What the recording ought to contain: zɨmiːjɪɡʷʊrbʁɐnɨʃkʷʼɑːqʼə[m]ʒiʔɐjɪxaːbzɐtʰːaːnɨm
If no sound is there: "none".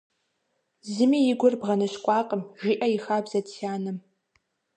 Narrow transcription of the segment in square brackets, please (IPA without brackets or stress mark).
m